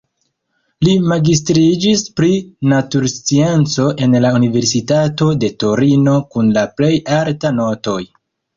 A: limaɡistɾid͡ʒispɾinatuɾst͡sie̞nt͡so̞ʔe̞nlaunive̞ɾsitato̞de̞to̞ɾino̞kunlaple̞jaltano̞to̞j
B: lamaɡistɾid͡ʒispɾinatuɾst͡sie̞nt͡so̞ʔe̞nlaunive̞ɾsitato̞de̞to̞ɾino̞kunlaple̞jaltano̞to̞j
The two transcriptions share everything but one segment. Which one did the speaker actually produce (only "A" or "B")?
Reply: A